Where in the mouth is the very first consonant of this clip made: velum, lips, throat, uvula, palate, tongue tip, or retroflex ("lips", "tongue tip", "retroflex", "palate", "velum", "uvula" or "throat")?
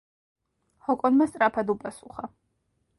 throat